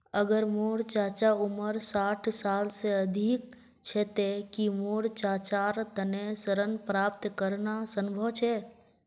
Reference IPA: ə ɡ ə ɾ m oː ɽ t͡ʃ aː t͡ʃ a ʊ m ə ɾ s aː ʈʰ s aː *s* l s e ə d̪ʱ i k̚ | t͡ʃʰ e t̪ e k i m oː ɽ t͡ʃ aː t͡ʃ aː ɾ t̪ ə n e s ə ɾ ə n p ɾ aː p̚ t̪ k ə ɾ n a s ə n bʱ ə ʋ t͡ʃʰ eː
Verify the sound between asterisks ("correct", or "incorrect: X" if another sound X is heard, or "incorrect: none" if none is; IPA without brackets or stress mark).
incorrect: none